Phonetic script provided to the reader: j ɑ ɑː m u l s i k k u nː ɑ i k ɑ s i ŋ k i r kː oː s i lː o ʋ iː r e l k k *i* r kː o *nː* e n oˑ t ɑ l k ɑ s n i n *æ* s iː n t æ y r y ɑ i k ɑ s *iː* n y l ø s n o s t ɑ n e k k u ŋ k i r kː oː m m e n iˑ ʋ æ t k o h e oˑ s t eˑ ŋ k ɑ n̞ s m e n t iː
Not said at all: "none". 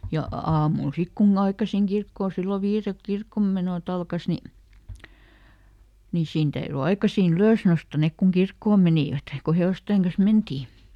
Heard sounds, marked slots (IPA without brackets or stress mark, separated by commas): i, mː, i, iː